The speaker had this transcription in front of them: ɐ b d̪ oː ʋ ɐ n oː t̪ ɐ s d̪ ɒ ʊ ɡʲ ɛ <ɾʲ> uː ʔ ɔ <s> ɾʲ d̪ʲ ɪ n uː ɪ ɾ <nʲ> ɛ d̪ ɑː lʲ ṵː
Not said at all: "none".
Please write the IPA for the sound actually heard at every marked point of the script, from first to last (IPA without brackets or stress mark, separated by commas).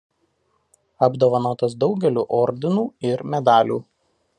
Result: lʲ, none, mʲ